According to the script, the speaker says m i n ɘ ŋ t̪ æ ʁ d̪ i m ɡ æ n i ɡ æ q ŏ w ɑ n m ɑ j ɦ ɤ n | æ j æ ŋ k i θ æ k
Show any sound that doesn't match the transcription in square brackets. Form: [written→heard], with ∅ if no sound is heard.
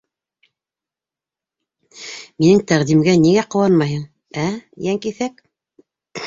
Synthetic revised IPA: m i n ɘ ŋ t̪ æ ʁ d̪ i m ɡ æ n i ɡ æ q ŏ w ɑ n m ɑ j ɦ ɤ [n→ɴ] | æ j æ ŋ k i θ æ k